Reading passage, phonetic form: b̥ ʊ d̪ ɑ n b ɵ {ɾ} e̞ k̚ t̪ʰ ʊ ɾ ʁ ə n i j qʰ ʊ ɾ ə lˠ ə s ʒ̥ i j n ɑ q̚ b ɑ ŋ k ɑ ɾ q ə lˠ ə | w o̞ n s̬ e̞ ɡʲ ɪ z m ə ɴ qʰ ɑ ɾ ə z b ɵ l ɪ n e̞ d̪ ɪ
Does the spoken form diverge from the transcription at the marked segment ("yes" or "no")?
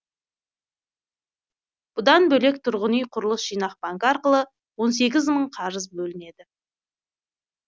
yes